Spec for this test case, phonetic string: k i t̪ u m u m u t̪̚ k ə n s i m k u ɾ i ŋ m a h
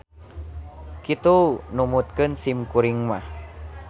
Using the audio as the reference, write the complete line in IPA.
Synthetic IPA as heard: k i t̪ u n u m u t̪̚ k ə n s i m k u ɾ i ŋ m a h